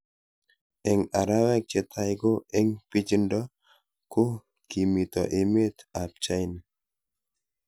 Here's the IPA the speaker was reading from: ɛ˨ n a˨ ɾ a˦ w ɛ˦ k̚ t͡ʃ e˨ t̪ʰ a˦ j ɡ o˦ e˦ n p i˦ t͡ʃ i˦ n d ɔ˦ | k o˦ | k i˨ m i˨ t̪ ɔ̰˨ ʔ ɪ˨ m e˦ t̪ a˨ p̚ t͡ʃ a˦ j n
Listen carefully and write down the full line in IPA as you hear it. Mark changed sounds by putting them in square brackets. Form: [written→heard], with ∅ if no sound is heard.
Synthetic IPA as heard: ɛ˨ [n→ŋ] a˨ ɾ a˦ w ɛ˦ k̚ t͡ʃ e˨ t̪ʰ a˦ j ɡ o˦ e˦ [n→ŋ] p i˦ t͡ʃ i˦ n d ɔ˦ | k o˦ | k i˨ m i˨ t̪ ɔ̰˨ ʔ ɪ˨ m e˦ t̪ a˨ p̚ t͡ʃ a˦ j n